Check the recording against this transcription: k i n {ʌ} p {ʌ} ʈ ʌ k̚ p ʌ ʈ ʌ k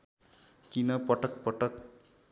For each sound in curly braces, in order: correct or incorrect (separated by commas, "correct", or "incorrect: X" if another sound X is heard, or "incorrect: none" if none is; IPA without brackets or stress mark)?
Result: correct, correct